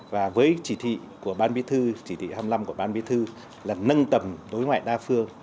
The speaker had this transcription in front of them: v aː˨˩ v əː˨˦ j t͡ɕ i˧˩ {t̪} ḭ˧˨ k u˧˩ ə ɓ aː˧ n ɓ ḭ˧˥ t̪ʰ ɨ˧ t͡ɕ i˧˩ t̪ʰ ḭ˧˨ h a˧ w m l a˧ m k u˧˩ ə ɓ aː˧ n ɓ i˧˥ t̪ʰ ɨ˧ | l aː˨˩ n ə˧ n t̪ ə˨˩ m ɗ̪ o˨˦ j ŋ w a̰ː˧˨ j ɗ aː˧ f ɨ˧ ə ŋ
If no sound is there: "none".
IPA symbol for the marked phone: t̪ʰ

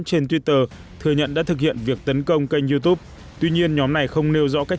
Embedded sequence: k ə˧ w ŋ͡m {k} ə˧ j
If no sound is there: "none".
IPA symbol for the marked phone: k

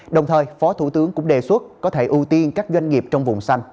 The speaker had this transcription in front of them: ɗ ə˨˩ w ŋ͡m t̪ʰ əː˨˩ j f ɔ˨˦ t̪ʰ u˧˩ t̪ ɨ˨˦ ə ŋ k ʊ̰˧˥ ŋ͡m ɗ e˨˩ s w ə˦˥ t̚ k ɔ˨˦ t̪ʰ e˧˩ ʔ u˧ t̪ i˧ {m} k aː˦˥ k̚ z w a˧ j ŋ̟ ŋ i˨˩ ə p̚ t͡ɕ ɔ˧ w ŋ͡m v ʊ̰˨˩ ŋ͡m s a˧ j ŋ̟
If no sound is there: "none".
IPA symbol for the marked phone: n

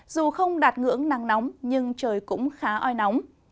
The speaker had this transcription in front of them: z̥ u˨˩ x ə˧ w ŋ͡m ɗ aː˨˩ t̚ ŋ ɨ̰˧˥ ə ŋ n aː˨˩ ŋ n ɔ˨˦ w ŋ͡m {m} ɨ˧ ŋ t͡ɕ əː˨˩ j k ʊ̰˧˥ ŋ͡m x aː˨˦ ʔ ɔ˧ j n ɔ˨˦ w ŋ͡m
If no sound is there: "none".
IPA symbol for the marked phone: ɲ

